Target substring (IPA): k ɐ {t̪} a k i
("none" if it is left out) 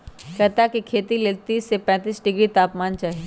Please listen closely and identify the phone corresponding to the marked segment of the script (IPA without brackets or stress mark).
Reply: t̪